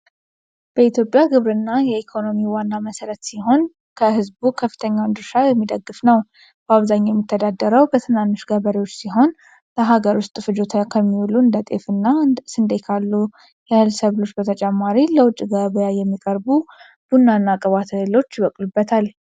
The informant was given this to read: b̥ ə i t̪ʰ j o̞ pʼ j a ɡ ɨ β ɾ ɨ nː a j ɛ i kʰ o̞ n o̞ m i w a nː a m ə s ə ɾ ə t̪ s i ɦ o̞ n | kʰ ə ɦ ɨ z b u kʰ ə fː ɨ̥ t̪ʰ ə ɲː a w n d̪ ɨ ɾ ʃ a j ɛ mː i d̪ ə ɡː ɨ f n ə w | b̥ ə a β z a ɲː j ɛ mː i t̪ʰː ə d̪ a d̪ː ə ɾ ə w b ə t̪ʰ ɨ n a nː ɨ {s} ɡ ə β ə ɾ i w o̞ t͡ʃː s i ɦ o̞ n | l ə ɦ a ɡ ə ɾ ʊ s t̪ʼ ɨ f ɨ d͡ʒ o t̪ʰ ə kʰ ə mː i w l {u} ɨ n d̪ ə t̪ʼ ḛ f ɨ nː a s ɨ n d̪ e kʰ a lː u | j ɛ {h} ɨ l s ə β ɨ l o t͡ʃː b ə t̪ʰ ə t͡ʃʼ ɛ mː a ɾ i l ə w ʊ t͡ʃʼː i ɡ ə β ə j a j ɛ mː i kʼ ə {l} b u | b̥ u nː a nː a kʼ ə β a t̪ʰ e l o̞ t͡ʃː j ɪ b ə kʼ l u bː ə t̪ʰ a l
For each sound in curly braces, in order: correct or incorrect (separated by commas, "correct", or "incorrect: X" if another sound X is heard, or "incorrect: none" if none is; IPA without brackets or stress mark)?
incorrect: ʃ, correct, correct, incorrect: ɾ